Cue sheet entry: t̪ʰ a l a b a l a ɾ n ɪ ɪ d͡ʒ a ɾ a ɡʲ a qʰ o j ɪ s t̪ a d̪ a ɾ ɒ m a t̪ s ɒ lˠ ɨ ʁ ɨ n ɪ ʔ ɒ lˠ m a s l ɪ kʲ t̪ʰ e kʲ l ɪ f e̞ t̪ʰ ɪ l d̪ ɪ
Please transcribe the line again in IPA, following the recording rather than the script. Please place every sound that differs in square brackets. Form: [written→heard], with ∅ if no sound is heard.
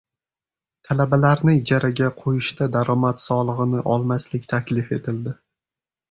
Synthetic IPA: t̪ʰ a l a b a l a ɾ n ɪ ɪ d͡ʒ a ɾ a ɡʲ a qʰ o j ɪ [s→ʃ] t̪ a d̪ a ɾ ɒ m a t̪ s ɒ lˠ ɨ ʁ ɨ n ɪ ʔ ɒ lˠ m a s l ɪ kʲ t̪ʰ [e→a] kʲ l ɪ f e̞ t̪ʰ ɪ l d̪ ɪ